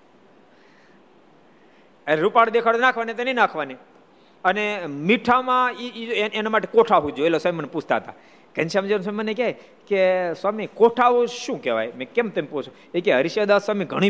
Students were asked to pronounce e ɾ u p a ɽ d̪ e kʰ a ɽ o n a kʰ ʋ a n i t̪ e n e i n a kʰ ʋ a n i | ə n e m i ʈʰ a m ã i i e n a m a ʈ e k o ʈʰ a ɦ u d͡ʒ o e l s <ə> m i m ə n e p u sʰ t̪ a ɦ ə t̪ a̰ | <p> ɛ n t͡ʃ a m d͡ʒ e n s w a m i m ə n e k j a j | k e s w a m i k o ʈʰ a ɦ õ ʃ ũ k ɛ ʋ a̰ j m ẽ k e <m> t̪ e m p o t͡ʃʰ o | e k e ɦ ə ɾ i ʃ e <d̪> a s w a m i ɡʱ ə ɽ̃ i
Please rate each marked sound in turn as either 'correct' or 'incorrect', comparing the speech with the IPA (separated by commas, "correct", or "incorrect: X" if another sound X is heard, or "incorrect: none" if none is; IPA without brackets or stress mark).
incorrect: a, incorrect: k, correct, correct